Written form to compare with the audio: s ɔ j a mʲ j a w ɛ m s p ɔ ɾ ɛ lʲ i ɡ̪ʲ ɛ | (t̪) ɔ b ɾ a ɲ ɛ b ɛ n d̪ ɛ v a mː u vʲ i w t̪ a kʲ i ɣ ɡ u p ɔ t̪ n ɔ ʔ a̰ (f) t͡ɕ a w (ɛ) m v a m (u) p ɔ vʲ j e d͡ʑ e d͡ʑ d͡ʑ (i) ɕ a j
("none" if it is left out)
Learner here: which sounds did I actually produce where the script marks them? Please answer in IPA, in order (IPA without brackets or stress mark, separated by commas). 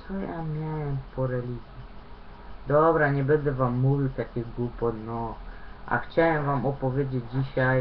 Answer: d̪, x, ɛ, ɔ, i